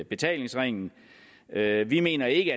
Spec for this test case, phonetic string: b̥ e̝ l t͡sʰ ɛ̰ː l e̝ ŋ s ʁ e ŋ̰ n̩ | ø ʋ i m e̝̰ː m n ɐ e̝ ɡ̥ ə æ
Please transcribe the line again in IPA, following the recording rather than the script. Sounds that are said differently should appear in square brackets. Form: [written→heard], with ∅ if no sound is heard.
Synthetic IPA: b̥ e̝ [l→∅] t͡sʰ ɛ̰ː l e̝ ŋ s ʁ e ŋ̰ n̩ | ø ʋ i m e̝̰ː [m→∅] n ɐ e̝ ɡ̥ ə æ